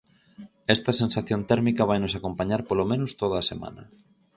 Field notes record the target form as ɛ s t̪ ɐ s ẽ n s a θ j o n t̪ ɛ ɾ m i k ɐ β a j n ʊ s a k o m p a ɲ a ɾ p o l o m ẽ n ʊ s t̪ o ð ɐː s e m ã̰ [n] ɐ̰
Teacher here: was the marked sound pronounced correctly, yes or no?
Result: yes